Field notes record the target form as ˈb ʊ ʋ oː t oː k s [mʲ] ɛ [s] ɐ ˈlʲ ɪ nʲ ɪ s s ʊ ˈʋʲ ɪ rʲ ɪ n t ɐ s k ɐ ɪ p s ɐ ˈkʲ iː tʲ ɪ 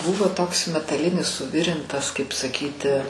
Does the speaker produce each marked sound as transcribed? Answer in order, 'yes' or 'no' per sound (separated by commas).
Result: yes, no